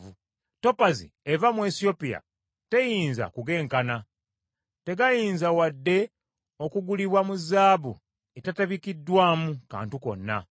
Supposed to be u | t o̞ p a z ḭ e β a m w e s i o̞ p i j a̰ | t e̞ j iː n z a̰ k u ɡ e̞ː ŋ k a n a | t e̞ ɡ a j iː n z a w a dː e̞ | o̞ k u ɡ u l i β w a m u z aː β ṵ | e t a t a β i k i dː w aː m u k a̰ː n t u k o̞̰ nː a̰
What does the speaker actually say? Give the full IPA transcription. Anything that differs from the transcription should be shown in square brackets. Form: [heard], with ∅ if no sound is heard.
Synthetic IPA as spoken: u | t o̞ p a z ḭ e [v] a m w e s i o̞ p i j a̰ | t e̞ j iː n z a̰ k u ɡ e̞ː ŋ k a n a | t e̞ ɡ a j iː n z a w a dː e̞ | o̞ k u ɡ u l i β w a m u z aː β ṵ | e t a t a β i k i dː w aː m u k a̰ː n t u k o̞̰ nː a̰